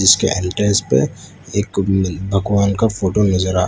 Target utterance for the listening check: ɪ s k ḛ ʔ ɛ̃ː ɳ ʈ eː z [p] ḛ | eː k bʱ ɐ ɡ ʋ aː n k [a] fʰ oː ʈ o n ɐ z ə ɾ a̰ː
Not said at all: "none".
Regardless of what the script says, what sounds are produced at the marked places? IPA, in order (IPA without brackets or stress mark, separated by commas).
p, a